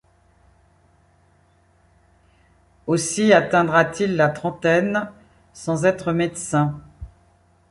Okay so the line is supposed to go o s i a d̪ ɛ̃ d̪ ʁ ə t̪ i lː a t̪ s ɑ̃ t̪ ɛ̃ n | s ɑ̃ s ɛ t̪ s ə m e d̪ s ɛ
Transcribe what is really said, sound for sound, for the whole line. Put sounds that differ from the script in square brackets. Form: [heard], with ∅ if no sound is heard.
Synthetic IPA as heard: o s i a [t̪] ɛ̃ d̪ ʁ [a] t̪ i lː a t̪ [χ] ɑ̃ t̪ [ɛ] n | s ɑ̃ [z] ɛ t̪ [χ] ə m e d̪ s [ɛ̃]